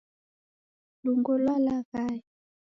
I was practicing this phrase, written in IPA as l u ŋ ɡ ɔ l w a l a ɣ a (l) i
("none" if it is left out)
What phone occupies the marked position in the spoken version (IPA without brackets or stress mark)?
none